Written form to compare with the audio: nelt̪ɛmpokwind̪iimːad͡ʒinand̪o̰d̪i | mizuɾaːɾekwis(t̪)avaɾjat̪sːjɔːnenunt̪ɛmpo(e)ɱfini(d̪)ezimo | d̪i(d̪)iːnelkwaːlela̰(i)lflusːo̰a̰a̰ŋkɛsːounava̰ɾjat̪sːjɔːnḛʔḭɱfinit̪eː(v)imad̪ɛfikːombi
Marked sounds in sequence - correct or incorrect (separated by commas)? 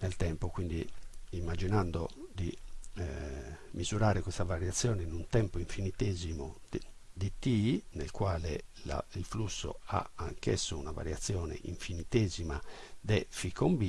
correct, incorrect, incorrect, incorrect, correct, incorrect